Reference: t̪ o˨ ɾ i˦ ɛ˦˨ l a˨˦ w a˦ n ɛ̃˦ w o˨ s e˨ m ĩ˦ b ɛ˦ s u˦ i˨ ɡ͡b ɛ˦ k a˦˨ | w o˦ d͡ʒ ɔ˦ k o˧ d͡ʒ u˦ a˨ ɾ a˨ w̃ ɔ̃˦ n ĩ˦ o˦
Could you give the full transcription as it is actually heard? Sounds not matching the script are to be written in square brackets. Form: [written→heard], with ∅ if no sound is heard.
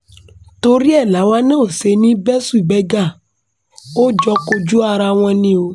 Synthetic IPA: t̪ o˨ ɾ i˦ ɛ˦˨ l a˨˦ w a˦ n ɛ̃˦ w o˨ s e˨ [m→n] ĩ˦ b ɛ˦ s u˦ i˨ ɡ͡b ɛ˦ [k→ɡ] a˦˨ | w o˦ d͡ʒ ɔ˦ k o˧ d͡ʒ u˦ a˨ ɾ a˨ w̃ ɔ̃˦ n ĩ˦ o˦